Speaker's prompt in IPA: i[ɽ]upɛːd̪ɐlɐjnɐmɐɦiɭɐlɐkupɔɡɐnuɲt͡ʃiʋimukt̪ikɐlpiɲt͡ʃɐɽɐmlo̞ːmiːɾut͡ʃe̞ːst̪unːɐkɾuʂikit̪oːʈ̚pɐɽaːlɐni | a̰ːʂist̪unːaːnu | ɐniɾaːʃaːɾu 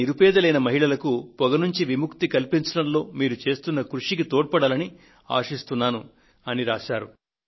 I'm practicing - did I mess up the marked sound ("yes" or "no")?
yes